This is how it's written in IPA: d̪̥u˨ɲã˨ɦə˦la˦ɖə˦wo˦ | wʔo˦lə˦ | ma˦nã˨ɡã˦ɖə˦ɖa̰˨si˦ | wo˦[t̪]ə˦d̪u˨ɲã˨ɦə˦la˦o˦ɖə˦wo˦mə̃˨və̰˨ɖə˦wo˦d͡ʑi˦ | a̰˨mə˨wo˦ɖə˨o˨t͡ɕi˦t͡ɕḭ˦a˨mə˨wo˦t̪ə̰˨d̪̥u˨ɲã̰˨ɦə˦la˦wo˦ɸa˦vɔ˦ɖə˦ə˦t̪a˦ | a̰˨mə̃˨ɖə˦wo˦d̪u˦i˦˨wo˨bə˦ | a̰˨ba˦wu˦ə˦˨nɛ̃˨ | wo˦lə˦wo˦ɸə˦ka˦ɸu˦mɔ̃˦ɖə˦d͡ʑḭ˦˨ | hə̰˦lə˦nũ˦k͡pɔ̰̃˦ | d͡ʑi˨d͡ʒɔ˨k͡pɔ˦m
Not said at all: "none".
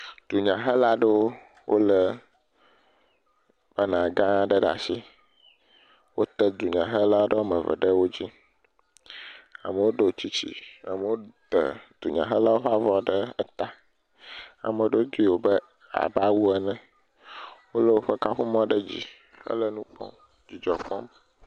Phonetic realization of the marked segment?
t̪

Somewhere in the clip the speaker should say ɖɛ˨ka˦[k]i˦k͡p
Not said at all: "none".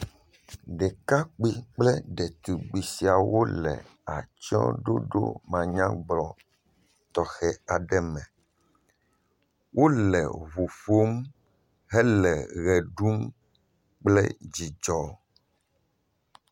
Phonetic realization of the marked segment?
k͡p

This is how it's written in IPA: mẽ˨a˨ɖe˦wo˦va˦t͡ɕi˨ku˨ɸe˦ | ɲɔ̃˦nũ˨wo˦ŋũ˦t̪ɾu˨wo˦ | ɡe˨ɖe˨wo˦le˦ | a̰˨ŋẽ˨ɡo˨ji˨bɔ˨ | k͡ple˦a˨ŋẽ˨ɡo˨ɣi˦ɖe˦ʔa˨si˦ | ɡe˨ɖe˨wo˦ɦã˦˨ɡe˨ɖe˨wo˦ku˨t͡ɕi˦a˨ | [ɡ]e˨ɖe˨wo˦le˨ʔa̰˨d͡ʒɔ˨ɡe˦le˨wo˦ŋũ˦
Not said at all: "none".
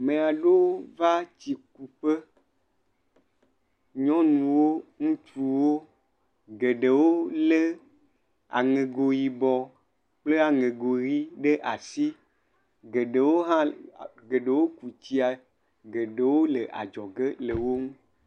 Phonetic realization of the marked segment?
ɡ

